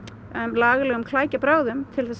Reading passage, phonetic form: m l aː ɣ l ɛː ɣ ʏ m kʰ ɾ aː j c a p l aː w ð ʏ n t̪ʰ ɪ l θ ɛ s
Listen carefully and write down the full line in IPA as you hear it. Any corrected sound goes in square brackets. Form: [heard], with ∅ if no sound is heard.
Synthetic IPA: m l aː ɣ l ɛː ɣ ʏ m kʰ [l] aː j c a p [ɾ] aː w ð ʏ [m] t̪ʰ ɪ l θ ɛ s